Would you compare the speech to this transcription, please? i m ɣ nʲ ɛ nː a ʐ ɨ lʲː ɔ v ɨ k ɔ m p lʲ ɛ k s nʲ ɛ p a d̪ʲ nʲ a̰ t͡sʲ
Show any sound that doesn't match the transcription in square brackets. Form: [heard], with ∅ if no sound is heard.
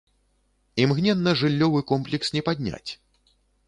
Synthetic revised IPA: i m ɣ nʲ ɛ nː [ɐ] ʐ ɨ lʲː ɔ v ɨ k ɔ m p lʲ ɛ k s nʲ ɛ p a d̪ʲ nʲ a̰ t͡sʲ

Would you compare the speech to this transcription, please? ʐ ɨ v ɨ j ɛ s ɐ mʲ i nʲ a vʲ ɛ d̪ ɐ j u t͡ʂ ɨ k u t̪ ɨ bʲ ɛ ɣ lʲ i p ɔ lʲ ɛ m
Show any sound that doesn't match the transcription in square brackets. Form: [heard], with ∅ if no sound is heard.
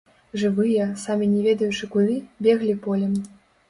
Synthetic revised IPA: ʐ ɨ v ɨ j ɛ s [a] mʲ i nʲ [ɛ] vʲ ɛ d̪ ɐ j u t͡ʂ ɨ k u [d̪] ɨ bʲ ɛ ɣ lʲ i p ɔ lʲ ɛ m

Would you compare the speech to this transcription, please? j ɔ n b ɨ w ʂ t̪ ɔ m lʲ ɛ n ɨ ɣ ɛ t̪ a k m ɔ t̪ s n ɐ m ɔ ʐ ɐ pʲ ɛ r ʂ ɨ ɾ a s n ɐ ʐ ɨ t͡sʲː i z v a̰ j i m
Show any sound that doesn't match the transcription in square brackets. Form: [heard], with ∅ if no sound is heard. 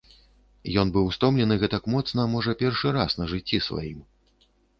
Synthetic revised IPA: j ɔ n b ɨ w [s] t̪ ɔ m lʲ ɛ n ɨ ɣ ɛ t̪ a k m ɔ t̪ s n ɐ m ɔ ʐ ɐ pʲ ɛ r ʂ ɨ ɾ a s n ɐ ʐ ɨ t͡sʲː i [s] v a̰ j i m

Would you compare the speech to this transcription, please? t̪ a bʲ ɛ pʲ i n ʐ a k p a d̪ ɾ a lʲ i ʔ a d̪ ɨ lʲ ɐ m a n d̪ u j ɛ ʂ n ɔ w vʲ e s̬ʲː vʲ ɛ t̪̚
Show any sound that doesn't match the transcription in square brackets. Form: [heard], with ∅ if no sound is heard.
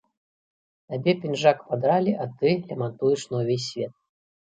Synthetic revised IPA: t̪ a bʲ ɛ pʲ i n ʐ a k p a d̪ ɾ a lʲ i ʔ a [t̪] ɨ lʲ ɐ m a n [t̪] u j ɛ ʂ n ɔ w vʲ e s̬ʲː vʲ ɛ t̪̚

